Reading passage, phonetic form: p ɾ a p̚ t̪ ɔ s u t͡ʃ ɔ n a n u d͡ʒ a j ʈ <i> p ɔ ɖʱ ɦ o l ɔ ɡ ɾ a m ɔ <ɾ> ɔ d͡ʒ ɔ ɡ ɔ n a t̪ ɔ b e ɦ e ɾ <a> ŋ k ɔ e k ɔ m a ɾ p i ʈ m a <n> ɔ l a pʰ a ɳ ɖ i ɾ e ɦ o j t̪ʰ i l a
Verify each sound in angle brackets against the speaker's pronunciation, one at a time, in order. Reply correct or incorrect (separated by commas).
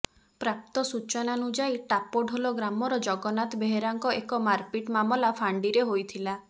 incorrect, correct, correct, incorrect